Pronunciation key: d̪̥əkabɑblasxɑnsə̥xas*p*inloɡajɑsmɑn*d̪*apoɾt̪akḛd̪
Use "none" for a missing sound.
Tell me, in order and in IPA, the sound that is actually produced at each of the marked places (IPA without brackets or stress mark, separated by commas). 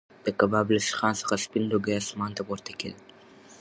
p, t̪